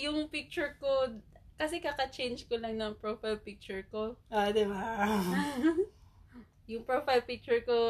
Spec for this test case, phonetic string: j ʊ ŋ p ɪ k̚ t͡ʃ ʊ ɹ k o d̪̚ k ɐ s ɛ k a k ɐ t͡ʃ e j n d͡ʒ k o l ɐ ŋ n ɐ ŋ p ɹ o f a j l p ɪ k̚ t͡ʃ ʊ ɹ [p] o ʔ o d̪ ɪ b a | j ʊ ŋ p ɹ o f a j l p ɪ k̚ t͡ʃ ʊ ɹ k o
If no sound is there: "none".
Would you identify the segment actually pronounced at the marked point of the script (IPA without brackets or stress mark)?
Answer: k